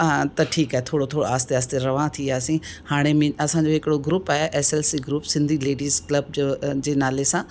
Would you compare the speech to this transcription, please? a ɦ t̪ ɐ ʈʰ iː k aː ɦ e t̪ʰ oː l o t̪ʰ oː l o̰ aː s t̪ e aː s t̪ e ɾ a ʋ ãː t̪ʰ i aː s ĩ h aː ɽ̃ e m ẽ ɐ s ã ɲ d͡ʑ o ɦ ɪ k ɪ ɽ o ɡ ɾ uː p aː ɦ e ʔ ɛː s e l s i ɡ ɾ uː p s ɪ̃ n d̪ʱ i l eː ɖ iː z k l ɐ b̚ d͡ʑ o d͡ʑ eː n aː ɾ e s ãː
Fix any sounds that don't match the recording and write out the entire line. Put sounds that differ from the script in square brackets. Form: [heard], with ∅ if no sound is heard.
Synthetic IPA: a [∅] t̪ ɐ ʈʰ iː k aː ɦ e t̪ʰ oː [ɽ] o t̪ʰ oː [ɽ] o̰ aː s t̪ e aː s t̪ e ɾ [ɐ] ʋ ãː t̪ʰ i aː s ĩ h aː ɽ̃ e m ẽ ɐ s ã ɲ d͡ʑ o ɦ ɪ k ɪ ɽ o ɡ ɾ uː p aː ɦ e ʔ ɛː s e l s i ɡ ɾ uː p s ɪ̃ n d̪ʱ i l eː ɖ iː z k l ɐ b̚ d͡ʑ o d͡ʑ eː n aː [l] e s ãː